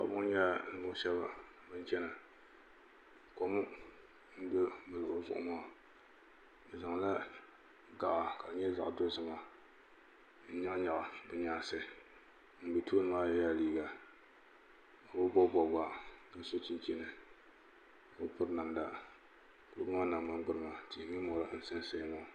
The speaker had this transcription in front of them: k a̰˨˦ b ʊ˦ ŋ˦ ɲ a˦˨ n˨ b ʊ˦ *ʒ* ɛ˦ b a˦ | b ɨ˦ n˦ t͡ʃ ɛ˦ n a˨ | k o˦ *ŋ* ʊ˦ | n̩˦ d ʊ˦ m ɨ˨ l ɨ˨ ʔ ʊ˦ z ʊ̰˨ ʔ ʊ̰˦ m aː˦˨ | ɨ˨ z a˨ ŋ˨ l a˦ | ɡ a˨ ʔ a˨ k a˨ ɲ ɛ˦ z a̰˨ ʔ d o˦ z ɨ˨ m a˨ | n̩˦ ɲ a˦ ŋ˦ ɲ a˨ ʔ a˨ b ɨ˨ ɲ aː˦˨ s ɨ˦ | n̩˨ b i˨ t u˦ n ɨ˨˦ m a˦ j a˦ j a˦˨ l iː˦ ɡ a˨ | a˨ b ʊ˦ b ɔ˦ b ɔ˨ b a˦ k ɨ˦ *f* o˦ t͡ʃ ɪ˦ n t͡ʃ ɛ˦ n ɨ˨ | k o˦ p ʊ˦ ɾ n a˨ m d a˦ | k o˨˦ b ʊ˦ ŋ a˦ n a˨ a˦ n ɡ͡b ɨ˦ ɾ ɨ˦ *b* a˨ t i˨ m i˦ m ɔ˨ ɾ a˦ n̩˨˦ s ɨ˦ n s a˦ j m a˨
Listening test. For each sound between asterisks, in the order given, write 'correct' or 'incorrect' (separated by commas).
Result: incorrect, incorrect, incorrect, incorrect